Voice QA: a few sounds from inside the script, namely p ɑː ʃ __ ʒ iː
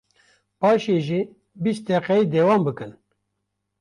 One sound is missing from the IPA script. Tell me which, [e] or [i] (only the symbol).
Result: e